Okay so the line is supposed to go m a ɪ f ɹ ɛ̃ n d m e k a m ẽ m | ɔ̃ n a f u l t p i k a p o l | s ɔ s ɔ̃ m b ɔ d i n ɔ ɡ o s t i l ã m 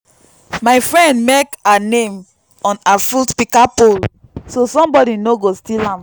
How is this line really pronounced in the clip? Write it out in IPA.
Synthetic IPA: m a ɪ f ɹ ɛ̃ n d m e k a n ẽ m | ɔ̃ n a f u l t p i k a p o l | s o s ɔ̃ m b ɔ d i n o ɡ o s t i l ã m